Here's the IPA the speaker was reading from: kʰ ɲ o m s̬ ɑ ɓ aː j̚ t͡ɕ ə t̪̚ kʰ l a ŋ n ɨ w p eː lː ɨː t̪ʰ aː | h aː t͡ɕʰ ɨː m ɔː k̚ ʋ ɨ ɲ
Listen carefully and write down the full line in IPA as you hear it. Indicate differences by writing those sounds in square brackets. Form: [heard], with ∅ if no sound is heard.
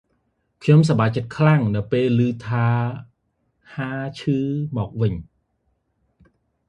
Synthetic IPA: kʰ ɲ o m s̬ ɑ ɓ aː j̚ t͡ɕ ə t̪̚ kʰ l a ŋ n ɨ w p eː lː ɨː t̪ʰ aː | h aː t͡ɕʰ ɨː m ɔː k̚ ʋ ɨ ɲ